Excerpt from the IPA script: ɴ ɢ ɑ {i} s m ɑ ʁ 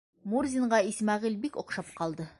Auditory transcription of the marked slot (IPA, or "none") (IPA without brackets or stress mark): i